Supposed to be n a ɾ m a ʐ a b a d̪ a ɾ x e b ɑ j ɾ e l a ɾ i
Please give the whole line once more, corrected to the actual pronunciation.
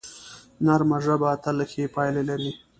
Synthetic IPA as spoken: n a ɾ m a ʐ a b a t̪ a l x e p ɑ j l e l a ɾ i